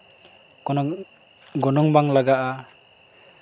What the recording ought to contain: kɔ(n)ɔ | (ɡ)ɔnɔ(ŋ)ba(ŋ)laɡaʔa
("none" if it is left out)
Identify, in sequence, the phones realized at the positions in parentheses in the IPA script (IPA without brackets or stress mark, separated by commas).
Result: n, ɡ, ŋ, ŋ